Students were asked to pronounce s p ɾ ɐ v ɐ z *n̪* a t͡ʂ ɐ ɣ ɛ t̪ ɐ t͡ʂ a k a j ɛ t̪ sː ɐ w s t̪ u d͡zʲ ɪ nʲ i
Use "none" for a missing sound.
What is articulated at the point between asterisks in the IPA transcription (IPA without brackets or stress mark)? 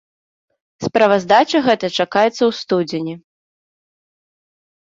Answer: d̪